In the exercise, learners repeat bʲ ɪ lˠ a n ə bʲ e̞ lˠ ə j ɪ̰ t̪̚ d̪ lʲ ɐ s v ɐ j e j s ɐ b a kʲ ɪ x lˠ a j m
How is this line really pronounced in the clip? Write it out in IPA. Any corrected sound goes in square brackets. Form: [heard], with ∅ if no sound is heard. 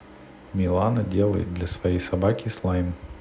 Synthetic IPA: [mʲ] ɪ lˠ a n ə [dʲ] e̞ lˠ ə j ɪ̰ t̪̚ d̪ lʲ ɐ s v ɐ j e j s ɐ b a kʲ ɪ [s] lˠ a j m

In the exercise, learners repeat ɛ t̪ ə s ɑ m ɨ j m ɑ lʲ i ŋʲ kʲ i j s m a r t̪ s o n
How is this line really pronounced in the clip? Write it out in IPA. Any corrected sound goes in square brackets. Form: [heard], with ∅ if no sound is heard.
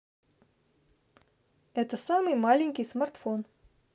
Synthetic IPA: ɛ t̪ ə s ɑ m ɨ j m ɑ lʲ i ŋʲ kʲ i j s m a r t̪ [f] o n

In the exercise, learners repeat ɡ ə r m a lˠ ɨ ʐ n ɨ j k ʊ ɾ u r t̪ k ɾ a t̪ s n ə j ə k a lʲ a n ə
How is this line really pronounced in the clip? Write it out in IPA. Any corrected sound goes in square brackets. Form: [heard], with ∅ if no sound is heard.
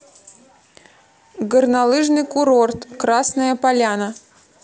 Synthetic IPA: ɡ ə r [n] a lˠ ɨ ʐ n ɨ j k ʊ ɾ [o] r t̪ k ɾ a [∅] s n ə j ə [p] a lʲ a n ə

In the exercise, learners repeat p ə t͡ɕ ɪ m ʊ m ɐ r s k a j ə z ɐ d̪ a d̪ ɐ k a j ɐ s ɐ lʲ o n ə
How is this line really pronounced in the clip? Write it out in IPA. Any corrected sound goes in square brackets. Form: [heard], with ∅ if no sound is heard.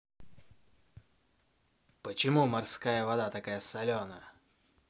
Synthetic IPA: p ə t͡ɕ ɪ m [u] m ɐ r s k a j ə [v] ɐ d̪ a [t̪] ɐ k a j [ə] s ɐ lʲ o n ə

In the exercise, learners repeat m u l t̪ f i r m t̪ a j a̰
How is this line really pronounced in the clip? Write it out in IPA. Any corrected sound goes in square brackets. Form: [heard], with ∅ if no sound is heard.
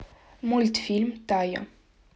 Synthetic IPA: m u l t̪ f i [l] m t̪ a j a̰

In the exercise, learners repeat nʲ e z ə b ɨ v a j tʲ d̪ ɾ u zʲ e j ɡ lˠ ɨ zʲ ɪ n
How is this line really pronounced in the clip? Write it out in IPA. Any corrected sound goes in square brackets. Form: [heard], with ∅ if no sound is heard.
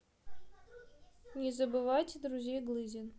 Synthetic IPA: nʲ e z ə b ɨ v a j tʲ d̪ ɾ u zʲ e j ɡ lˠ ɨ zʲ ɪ n

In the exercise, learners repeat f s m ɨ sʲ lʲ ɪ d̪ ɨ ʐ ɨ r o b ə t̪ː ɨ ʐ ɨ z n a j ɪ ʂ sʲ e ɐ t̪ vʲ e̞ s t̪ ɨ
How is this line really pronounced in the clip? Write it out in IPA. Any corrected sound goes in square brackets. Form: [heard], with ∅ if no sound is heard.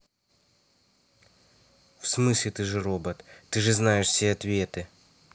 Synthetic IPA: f s m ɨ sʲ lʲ ɪ [t̪] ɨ ʐ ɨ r o b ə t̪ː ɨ ʐ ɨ z n a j ɪ ʂ sʲ e ɐ t̪ vʲ e̞ [∅] t̪ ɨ

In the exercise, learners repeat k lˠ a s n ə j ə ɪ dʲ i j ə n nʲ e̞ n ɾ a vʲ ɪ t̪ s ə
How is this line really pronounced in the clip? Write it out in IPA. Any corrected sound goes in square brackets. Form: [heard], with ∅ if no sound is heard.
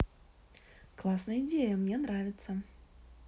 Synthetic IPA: k lˠ a s n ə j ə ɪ dʲ [e] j ə [m] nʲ e̞ n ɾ a vʲ ɪ t̪ s ə

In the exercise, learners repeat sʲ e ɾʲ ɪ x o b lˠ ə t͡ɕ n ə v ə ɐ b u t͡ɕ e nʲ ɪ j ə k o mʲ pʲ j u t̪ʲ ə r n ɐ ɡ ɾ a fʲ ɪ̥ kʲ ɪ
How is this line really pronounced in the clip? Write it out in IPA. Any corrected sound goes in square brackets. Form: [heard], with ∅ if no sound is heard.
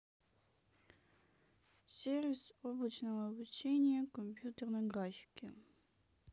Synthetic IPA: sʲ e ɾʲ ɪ [s] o b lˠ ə t͡ɕ n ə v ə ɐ b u t͡ɕ e nʲ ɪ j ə k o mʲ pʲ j u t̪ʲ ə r n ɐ ɡ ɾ a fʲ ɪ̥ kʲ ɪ

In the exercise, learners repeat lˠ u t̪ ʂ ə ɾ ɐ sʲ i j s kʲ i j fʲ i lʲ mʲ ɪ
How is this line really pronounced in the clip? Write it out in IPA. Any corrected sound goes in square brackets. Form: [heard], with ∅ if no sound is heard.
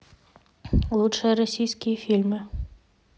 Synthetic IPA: lˠ u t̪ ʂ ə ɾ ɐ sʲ i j s kʲ i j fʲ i lʲ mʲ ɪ

